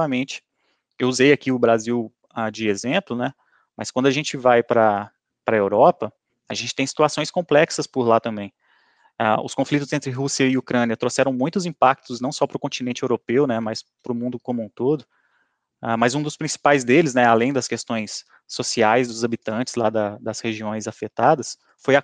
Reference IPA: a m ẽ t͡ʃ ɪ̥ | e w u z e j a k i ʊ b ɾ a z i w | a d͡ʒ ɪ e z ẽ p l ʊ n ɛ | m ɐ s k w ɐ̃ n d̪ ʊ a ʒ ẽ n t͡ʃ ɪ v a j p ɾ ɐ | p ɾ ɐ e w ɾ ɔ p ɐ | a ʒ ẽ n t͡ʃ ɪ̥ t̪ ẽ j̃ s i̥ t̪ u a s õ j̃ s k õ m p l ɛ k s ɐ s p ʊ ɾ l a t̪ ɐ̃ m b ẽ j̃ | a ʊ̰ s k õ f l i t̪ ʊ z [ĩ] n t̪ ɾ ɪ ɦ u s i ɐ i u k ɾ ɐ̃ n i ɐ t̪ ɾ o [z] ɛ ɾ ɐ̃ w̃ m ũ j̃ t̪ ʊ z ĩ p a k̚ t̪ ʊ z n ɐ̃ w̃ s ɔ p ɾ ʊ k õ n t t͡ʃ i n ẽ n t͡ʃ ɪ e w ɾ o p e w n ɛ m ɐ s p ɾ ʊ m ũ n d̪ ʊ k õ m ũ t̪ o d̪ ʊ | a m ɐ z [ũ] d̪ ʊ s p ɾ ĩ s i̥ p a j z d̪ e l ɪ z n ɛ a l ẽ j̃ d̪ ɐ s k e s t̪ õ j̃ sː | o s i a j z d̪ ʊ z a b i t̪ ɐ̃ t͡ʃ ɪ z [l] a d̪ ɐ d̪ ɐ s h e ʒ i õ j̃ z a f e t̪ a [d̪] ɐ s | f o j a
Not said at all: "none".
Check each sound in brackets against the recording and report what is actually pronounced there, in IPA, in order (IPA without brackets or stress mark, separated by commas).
ẽ, s, ũ, l, d̪